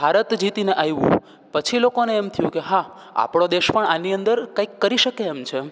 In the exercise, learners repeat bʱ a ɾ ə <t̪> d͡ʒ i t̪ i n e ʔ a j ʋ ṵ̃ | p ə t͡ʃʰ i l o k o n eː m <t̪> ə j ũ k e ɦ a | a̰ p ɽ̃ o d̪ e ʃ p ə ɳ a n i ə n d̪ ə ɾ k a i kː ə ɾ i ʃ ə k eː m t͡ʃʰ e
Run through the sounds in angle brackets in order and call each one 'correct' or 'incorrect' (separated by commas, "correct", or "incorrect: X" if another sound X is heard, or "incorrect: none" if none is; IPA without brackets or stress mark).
correct, incorrect: t̪ʰ